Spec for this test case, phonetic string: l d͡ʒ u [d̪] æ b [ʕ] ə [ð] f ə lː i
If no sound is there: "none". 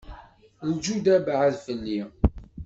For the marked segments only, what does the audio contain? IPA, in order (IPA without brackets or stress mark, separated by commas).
d̪, ʕ, ð